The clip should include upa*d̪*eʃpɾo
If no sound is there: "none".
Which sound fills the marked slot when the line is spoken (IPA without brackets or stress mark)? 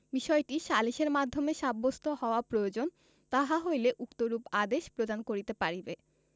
d̪